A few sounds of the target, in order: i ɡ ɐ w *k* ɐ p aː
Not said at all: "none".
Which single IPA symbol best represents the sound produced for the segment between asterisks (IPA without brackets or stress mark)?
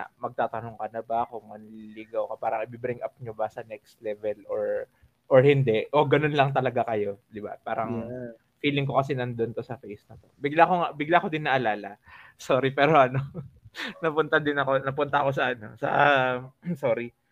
k